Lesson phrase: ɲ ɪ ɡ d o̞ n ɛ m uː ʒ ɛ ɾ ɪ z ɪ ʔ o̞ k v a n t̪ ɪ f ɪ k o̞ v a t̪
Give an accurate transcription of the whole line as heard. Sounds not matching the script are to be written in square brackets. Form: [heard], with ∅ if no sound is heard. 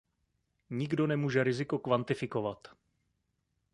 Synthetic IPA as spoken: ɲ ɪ ɡ d o̞ n ɛ m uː ʒ ɛ ɾ ɪ z ɪ [k] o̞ k v a n t̪ ɪ f ɪ k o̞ v a t̪